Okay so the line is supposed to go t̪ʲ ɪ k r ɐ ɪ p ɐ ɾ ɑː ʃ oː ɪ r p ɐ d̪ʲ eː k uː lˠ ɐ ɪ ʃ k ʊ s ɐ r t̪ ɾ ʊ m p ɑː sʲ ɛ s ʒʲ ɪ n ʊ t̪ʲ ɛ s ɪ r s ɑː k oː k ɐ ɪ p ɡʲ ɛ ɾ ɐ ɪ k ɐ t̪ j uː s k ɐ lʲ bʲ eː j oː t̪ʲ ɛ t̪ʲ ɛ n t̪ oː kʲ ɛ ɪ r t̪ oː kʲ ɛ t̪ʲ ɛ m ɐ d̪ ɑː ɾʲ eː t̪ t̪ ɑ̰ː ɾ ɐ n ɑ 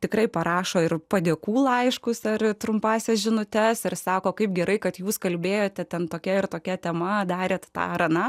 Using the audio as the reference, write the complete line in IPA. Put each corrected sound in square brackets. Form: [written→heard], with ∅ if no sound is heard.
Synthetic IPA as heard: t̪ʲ ɪ k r ɐ ɪ p ɐ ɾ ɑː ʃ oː ɪ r p ɐ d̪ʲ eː k uː lˠ ɐ ɪ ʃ k ʊ s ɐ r t̪ ɾ ʊ m p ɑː sʲ ɛ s ʒʲ ɪ n ʊ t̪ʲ ɛ s ɪ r s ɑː k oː k ɐ ɪ p ɡʲ ɛ ɾ ɐ ɪ k ɐ t̪ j uː s k ɐ lʲ bʲ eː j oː t̪ʲ ɛ t̪ʲ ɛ n t̪ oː kʲ ɛ ɪ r t̪ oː kʲ ɛ t̪ʲ ɛ m ɐ d̪ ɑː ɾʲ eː t̪ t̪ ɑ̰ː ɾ ɐ n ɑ